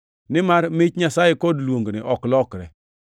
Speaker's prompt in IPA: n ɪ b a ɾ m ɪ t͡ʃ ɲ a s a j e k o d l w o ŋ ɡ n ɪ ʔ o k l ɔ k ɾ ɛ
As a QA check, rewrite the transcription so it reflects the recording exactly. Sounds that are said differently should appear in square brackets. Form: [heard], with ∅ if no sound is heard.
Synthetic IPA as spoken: n ɪ [m] a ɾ m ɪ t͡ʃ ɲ a s a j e k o d l w o ŋ ɡ n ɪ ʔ [ɔ] k l ɔ k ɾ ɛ